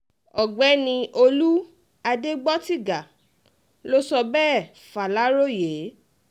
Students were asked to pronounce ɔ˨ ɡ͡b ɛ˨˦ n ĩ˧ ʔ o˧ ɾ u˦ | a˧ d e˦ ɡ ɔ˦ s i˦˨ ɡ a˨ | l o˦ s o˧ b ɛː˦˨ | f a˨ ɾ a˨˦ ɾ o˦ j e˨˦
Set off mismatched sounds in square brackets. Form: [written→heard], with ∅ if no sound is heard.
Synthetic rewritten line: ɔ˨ ɡ͡b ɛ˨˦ n ĩ˧ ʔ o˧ [ɾ→l] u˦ | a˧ d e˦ [ɡ→ɡ͡b] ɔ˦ [s→t] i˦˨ ɡ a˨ | l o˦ s [o˧→ɔ˧] b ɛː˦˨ | f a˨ [ɾ→l] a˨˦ ɾ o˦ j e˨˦